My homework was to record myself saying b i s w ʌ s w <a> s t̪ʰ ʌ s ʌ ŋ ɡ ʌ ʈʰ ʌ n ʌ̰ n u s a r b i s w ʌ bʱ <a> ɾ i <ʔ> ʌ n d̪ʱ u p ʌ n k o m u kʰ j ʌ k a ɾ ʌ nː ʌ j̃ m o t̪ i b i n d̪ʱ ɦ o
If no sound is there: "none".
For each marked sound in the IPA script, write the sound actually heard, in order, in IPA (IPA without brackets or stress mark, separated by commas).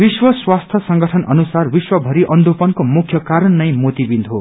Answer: a, ʌ, ʔ